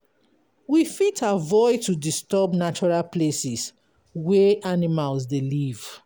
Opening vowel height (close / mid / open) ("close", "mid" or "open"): close